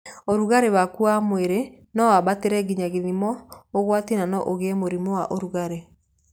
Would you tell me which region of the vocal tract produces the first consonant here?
tongue tip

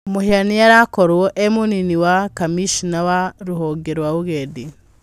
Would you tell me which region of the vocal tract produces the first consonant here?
lips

